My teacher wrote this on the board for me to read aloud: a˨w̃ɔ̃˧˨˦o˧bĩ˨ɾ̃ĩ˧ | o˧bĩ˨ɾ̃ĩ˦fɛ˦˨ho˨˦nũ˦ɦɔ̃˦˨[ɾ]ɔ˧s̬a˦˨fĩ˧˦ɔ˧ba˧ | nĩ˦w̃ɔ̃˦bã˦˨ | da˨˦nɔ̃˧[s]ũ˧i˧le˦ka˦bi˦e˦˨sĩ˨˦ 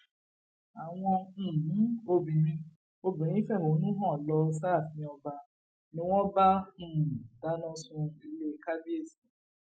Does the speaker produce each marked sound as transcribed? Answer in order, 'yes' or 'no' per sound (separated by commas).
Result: no, yes